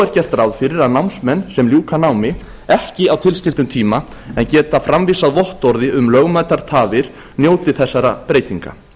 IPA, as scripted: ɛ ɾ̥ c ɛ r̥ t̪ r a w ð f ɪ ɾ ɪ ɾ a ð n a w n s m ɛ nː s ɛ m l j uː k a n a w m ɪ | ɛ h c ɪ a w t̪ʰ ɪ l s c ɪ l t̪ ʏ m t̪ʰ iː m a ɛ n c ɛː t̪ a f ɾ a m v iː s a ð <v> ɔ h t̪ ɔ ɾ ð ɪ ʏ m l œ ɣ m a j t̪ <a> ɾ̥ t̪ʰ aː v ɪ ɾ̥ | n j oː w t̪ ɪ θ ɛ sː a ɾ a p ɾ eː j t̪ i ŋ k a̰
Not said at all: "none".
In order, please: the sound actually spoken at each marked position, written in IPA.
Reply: v, a

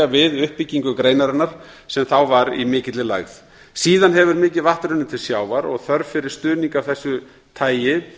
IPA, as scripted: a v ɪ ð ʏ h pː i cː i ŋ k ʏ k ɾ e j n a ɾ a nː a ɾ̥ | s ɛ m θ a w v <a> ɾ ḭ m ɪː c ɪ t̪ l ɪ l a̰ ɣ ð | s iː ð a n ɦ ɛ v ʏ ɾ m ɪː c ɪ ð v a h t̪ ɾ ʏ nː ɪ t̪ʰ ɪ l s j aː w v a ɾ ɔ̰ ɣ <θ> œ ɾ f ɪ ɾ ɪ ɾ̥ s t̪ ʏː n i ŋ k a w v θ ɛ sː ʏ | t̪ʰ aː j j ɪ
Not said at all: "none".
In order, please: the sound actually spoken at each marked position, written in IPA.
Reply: a, θ

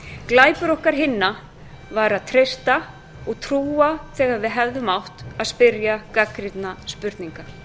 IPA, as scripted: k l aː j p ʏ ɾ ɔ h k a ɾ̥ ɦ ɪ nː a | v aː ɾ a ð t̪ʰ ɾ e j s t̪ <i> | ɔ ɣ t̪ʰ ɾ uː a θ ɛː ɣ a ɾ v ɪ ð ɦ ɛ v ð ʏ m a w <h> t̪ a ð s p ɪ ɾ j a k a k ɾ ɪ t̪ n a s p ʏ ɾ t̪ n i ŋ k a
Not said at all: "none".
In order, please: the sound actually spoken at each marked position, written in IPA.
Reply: a, h

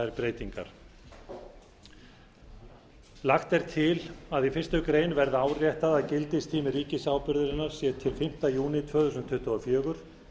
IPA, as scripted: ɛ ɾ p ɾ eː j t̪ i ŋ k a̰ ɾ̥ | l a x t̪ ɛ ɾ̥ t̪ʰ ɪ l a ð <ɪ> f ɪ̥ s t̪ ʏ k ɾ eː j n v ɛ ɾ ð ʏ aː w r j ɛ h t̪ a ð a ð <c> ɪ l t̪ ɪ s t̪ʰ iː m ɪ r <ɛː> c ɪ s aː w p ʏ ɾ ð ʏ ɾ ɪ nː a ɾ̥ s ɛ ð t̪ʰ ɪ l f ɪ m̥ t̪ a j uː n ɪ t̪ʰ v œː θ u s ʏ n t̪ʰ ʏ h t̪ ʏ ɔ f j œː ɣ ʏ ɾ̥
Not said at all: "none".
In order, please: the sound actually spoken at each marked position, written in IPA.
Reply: i, c, iː

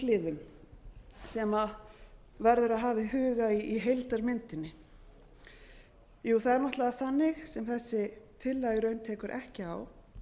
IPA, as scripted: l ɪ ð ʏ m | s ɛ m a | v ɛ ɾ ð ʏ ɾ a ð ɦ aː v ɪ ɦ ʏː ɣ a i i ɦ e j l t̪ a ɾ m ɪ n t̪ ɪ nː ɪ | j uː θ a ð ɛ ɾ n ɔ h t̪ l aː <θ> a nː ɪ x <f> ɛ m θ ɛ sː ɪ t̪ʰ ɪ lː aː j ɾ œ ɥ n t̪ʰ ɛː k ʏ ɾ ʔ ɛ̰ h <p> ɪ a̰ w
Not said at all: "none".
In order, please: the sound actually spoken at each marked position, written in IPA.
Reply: θ, s, c

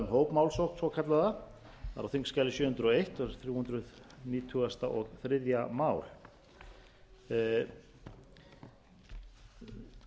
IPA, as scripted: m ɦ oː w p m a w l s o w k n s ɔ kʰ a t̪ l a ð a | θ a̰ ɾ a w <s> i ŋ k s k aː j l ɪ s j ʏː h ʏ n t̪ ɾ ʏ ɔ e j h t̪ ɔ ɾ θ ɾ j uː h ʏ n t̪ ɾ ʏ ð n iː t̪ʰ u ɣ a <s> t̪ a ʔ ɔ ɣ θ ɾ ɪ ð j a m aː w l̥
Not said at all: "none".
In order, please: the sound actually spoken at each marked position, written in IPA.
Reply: θ, s

